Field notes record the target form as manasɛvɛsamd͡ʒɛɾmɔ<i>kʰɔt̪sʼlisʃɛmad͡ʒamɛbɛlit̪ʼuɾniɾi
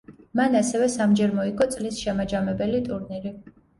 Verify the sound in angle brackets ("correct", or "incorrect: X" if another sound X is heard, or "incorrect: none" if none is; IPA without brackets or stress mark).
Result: correct